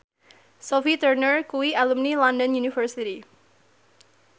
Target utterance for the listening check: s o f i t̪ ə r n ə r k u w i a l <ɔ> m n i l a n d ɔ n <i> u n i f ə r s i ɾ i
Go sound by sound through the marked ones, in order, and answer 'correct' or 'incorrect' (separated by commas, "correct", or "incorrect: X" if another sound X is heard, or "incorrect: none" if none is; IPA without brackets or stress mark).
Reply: incorrect: u, incorrect: j